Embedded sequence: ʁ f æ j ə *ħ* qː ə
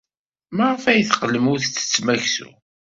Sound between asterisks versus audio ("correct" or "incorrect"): incorrect